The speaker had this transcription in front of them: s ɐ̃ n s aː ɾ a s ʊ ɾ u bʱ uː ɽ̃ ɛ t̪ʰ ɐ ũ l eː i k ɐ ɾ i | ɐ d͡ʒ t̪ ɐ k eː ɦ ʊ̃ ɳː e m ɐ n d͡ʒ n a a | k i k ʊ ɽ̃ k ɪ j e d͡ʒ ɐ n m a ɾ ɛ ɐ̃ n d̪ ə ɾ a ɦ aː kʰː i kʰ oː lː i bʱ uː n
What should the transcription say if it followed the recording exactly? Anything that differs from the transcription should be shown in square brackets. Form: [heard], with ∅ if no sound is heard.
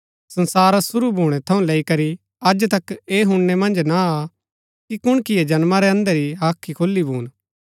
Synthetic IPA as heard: s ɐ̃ n s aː ɾ a s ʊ ɾ u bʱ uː ɽ̃ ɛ t̪ʰ ɐ ũ l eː i k ɐ ɾ i | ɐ d͡ʒ t̪ ɐ k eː ɦ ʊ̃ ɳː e m [ɐ̃] n d͡ʒ n a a | k i k ʊ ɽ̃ k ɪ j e d͡ʒ ɐ n m a ɾ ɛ ɐ̃ n d̪ ə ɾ [i] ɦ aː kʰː i kʰ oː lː i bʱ uː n